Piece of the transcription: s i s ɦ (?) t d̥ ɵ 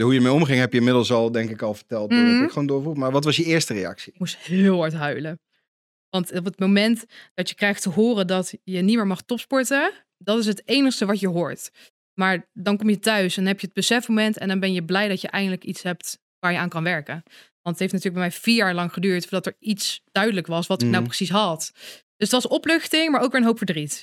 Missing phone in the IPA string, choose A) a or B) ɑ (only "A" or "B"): B